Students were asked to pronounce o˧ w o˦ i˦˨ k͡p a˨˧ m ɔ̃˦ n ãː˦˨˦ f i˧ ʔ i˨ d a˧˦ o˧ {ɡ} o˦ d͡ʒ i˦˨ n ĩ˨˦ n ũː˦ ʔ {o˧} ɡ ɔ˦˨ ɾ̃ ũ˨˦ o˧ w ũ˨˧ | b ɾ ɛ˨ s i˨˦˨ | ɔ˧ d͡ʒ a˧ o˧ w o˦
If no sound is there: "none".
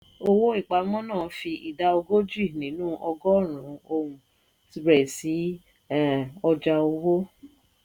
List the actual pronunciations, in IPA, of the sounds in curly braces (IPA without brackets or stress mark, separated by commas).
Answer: ɡ, ɔ˧